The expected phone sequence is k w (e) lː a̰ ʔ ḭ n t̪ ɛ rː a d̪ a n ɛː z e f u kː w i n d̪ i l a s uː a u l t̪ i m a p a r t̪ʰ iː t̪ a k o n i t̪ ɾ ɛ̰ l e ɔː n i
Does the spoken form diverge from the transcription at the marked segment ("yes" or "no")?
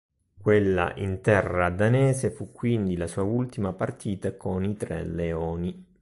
no